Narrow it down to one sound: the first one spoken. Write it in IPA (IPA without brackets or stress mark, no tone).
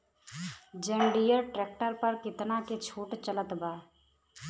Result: d͡ʒ